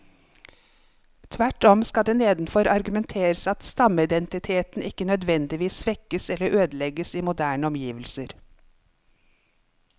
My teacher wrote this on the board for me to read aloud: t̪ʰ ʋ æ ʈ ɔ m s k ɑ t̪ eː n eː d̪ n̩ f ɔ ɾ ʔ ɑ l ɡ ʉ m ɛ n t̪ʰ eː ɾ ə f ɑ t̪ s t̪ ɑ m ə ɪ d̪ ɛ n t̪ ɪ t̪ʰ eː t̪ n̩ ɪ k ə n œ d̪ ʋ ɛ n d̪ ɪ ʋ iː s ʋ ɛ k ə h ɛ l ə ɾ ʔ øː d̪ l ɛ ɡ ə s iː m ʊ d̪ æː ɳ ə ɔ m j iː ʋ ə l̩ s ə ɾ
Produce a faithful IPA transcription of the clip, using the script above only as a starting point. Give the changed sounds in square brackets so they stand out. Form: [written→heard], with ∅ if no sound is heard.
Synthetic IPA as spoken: t̪ʰ ʋ æ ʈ ɔ m s k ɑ [t̪→d̪] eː n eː d̪ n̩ f ɔ ɾ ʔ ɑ [l→ɾ] ɡ ʉ m ɛ n t̪ʰ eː ɾ ə [f→s] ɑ t̪ s t̪ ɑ m ə ɪ d̪ ɛ n t̪ ɪ t̪ʰ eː t̪ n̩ ɪ k ə n œ d̪ ʋ ɛ n d̪ ɪ ʋ iː s ʋ ɛ k ə [h→s] ɛ l ə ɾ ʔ øː d̪ l ɛ ɡ ə s iː m ʊ d̪ æː ɳ ə ɔ m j iː ʋ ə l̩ s ə ɾ